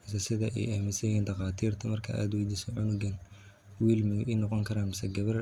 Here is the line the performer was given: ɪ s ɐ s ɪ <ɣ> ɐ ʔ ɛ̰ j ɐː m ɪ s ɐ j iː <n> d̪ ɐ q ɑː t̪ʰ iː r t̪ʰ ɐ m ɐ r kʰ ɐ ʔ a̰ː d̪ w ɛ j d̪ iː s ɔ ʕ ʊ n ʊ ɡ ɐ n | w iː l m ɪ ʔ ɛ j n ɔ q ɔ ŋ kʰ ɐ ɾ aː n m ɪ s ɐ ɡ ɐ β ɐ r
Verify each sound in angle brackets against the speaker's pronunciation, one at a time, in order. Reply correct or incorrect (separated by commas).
incorrect, correct